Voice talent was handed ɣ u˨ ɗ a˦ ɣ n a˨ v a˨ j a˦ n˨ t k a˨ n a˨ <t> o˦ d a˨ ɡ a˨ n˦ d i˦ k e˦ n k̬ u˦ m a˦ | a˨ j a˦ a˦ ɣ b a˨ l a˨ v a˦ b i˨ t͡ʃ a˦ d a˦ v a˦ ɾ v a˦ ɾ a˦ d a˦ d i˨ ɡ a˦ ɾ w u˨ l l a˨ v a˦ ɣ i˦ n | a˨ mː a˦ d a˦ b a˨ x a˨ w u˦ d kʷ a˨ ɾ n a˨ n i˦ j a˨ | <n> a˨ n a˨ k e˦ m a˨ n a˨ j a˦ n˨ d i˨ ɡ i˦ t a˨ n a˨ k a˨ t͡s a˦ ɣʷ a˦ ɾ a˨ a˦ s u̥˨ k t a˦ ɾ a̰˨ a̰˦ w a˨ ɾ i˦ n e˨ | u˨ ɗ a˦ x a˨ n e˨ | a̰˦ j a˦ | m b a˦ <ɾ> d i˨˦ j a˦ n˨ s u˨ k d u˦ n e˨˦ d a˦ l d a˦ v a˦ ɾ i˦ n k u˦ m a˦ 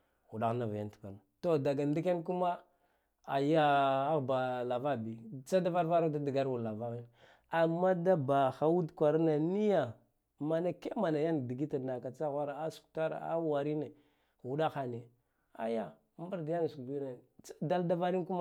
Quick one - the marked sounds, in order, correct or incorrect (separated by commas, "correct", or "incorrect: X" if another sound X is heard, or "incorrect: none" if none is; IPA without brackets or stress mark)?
correct, incorrect: m, correct